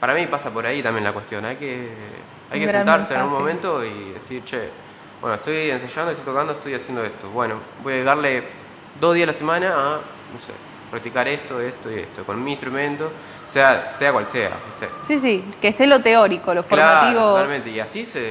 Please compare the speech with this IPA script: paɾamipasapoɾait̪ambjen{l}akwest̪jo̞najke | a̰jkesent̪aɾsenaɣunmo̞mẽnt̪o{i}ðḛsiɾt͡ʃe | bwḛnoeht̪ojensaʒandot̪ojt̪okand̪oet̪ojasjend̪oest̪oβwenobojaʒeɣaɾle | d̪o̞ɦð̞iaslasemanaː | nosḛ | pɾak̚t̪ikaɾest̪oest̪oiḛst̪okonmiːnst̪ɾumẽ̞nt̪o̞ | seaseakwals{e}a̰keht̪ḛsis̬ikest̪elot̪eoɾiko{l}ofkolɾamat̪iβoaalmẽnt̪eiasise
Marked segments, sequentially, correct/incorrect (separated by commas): correct, correct, correct, correct